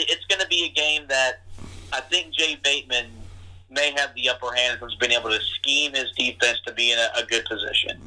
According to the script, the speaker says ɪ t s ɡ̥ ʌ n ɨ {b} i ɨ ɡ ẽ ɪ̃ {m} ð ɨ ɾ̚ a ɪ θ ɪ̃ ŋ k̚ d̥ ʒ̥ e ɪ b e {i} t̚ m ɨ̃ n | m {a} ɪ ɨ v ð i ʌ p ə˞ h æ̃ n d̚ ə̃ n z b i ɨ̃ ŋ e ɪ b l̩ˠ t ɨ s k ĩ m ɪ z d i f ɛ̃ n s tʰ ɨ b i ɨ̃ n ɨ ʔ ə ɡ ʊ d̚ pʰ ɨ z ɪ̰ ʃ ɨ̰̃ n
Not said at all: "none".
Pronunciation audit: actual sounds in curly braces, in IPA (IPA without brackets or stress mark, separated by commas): b, m, ɪ, e